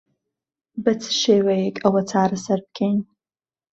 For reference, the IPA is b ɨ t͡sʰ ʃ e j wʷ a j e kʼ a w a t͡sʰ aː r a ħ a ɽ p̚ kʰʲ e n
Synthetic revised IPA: b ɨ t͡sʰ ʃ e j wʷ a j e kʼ a w a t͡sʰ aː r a s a r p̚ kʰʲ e n